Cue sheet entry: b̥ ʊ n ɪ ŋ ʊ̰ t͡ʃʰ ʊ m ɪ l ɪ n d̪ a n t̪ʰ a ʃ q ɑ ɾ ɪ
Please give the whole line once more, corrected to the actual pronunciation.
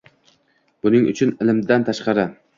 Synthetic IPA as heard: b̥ ʊ n ɪ ŋ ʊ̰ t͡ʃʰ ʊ n ɪ l ɪ m d̪ a n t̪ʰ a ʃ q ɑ ɾ ɪ